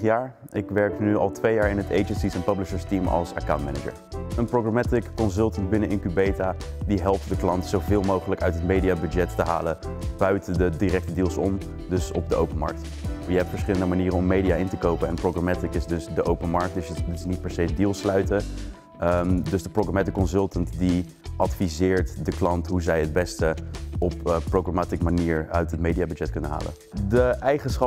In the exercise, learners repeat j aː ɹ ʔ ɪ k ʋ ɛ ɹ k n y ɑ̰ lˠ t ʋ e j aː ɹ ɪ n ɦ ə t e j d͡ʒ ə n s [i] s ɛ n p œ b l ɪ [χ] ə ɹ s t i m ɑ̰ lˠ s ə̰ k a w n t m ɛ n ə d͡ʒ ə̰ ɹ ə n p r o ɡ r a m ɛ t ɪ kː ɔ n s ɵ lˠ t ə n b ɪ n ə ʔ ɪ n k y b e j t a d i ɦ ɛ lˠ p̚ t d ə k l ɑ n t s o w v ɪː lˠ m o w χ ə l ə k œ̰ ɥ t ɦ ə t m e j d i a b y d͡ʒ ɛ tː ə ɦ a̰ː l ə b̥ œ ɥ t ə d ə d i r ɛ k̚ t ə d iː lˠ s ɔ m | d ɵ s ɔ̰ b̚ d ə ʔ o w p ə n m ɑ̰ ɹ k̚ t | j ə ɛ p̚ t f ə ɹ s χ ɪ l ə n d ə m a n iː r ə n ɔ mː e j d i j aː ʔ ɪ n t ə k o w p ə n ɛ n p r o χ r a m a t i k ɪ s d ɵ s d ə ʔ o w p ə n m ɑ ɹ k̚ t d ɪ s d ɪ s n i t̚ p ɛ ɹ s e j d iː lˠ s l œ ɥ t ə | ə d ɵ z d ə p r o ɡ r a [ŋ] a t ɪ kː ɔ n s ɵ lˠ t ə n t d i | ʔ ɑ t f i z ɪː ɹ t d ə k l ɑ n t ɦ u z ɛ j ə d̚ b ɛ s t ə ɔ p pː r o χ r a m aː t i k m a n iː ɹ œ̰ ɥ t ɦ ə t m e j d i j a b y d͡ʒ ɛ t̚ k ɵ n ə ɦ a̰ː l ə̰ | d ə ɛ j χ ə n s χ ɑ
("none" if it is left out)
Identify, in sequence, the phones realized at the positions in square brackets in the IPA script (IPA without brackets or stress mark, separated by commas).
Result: i, ʃ, m